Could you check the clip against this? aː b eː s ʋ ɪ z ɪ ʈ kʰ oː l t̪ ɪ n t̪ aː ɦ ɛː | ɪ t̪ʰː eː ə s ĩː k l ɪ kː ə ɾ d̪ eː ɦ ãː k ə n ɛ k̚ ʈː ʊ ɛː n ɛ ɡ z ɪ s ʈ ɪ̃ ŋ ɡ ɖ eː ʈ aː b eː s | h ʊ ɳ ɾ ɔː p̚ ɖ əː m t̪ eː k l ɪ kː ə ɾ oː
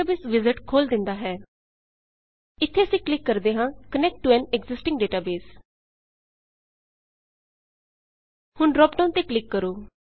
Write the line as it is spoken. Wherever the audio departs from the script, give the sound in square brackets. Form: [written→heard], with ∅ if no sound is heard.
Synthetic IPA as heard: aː b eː s ʋ ɪ z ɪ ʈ kʰ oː l [t̪→d̪] ɪ n [t̪→d̪] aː ɦ ɛː | ɪ t̪ʰː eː ə s ĩː k l ɪ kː ə ɾ d̪ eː ɦ ãː k ə n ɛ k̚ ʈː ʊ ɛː n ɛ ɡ z ɪ s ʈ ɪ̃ ŋ ɡ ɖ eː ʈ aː b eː s | h ʊ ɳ ɾ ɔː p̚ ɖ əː [m→n] t̪ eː k l ɪ kː ə ɾ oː